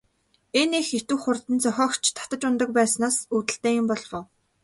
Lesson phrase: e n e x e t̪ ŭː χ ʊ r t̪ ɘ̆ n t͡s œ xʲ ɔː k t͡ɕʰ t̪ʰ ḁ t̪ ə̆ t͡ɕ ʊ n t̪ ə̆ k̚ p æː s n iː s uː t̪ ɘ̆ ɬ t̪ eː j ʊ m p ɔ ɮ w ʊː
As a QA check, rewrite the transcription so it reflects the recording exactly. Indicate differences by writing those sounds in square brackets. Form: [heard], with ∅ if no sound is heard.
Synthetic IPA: e n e x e t̪ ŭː χ ʊ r t̪ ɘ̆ n t͡s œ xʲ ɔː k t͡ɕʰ t̪ʰ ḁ t̪ ə̆ t͡ɕ ʊ n t̪ ə̆ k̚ p æː s n [aː] s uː t̪ ɘ̆ ɬ t̪ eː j ʊ m p ɔ ɮ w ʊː

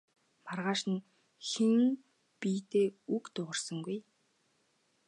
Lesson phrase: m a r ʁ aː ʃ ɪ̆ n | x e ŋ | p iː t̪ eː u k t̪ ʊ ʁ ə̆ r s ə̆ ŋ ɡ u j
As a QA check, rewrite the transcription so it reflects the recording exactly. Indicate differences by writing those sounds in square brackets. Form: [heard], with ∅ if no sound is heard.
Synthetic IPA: m a r ʁ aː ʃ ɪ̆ n | x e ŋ | p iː t̪ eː u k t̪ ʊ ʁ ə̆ r s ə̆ ŋ ɡ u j

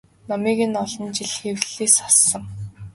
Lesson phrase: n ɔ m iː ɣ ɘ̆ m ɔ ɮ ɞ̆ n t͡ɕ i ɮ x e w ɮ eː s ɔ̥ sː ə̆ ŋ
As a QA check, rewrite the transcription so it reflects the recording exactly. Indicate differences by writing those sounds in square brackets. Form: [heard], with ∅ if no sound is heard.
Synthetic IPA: n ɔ m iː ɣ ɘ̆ [n] ɔ ɮ ɞ̆ n t͡ɕ i ɮ x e w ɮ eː s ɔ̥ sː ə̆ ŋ

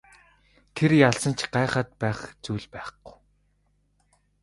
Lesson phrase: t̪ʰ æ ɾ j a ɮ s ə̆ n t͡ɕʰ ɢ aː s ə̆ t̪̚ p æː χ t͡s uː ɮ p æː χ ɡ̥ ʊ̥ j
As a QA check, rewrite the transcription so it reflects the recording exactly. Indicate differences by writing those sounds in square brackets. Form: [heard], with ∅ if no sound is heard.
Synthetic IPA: t̪ʰ [e] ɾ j a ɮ s ə̆ n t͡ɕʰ ɢ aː [χ] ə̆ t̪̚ p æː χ t͡s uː ɮ p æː χ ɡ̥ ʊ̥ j

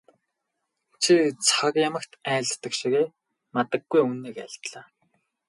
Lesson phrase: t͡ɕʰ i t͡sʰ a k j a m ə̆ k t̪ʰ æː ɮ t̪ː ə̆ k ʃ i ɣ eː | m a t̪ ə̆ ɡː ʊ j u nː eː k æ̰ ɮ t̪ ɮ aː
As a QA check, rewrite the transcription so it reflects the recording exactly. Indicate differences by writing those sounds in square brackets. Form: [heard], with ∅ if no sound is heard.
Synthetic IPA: t͡ɕʰ i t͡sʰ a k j a m ə̆ k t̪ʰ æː ɮ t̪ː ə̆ k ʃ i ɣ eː | m a t̪ ə̆ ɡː [u] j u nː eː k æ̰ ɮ t̪ ɮ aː

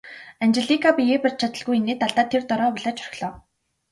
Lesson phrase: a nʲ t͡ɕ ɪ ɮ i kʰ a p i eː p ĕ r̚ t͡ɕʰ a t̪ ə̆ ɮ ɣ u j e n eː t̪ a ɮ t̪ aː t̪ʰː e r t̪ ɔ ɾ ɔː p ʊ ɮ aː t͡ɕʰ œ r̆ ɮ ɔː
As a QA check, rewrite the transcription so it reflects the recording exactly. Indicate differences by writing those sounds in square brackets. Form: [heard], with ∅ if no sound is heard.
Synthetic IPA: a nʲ t͡ɕ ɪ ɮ i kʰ a p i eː p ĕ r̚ t͡ɕʰ a t̪ ə̆ ɮ ɣ u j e n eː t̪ a ɮ t̪ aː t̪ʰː e r t̪ ɔ ɾ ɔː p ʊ ɮ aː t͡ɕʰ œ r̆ ɮ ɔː

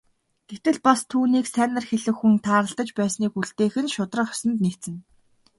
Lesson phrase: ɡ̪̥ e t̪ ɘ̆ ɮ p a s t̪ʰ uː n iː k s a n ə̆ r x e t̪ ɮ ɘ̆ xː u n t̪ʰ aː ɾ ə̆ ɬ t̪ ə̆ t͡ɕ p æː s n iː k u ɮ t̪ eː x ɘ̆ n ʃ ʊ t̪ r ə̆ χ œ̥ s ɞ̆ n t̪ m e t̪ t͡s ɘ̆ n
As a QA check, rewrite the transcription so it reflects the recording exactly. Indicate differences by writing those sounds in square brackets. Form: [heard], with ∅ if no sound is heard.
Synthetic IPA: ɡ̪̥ e t̪ ɘ̆ ɮ p a s t̪ʰ uː n iː k s [æ] n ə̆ r x e [∅] ɮ ɘ̆ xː u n t̪ʰ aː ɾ ə̆ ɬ t̪ ə̆ t͡ɕ p æː s n iː k u ɮ t̪ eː x ɘ̆ n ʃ ʊ t̪ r ə̆ χ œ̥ s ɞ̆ n t̪ [n] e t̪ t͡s ɘ̆ n

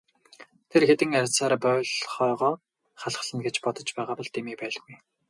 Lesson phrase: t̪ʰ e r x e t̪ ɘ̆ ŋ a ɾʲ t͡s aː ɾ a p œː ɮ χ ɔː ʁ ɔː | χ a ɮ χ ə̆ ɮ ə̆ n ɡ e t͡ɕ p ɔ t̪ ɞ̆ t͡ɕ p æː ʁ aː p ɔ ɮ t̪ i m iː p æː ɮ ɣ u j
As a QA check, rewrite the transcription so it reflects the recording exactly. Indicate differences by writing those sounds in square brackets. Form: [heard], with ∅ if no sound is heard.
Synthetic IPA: t̪ʰ e r x e t̪ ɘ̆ ŋ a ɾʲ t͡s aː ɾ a p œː ɮ χ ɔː ʁ ɔː | χ a ɮ χ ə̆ ɮ ə̆ n ɡ e t͡ɕ p ɔ t̪ ɞ̆ t͡ɕ p æː ʁ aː p ɔ ɮ t̪ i m iː p æː ɮ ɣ u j

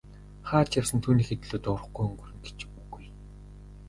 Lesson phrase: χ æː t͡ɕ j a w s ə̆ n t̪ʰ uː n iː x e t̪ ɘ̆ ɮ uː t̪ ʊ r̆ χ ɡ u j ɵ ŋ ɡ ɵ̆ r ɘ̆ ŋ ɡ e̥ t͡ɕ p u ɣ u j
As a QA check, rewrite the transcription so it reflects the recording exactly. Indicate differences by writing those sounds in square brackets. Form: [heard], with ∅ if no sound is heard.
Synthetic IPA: χ [aː] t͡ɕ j a w s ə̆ n t̪ʰ uː n iː x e t̪ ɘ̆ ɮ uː t̪ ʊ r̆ χ ɡ u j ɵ ŋ ɡ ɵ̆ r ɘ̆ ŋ ɡ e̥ t͡ɕ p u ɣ u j

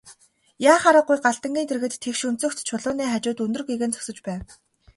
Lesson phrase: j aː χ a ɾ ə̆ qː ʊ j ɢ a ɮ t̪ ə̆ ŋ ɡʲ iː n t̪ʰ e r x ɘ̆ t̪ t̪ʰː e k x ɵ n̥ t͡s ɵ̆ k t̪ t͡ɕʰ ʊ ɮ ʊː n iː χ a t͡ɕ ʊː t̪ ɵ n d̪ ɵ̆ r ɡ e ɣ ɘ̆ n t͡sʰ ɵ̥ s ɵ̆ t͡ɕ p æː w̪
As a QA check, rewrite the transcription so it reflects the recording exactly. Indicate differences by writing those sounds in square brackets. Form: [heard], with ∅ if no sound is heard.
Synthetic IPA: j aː χ a ɾ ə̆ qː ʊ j ɢ a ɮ t̪ ə̆ ŋ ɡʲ iː n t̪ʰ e r [ɣ] ɘ̆ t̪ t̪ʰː e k [ʃ] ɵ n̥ t͡s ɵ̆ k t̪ t͡ɕʰ ʊ ɮ ʊː n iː χ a t͡ɕ ʊː t̪ ɵ n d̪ ɵ̆ r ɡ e ɣ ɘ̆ n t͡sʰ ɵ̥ s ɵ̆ t͡ɕ p æː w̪

